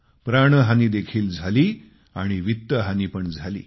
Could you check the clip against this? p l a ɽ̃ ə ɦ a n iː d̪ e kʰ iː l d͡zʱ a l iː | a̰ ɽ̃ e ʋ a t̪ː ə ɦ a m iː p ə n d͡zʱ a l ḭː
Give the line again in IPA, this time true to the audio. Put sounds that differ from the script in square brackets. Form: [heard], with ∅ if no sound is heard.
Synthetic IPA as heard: p [ɾ] a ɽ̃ ə ɦ a n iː d̪ e kʰ iː l d͡zʱ a l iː | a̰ ɽ̃ [i] ʋ [i] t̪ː ə ɦ a [n] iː p ə [ɳ] d͡zʱ a l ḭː